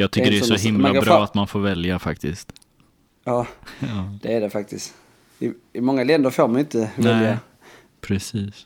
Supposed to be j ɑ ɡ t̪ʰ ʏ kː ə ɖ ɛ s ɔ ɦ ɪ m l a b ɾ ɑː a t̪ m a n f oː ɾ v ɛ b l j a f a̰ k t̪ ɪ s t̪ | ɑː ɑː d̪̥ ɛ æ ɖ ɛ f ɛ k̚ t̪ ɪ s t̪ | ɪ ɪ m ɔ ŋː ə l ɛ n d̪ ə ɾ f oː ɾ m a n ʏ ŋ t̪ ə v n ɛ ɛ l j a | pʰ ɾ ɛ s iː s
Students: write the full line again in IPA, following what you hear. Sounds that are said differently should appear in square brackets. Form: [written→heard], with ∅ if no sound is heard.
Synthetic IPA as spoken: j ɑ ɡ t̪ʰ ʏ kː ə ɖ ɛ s ɔ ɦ ɪ m l a b ɾ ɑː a t̪ m a n f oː ɾ v ɛ [b→∅] l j a f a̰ k t̪ ɪ s t̪ | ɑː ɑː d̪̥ ɛ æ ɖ ɛ f [ɛ→a] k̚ t̪ ɪ s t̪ | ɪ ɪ m ɔ ŋː [ə→a] l ɛ n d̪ ə ɾ f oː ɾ m a n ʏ [ŋ→n] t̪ ə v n ɛ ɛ l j a | pʰ ɾ ɛ s iː s